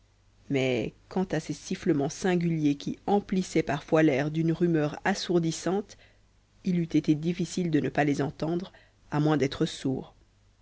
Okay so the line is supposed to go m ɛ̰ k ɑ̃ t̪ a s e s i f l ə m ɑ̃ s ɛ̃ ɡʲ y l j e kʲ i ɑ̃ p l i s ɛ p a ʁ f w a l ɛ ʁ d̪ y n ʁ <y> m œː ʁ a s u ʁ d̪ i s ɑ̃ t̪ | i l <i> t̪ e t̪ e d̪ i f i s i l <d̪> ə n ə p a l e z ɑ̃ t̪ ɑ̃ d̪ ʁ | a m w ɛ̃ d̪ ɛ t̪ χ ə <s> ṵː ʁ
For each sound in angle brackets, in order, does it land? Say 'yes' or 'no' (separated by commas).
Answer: yes, no, yes, yes